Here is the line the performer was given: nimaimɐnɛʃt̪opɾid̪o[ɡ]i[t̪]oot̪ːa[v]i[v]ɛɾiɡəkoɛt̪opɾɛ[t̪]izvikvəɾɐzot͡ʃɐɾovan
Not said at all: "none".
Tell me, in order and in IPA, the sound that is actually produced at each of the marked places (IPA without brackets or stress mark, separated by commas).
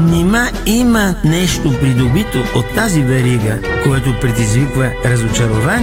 b, t̪, z, v, d̪